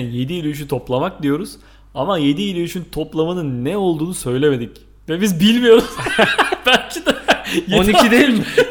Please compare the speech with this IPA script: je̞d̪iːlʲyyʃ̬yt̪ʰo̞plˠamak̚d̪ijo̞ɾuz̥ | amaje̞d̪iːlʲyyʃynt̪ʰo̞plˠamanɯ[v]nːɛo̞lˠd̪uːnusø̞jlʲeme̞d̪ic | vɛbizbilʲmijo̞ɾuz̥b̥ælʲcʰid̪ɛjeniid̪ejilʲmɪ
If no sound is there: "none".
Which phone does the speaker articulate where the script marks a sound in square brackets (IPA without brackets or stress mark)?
none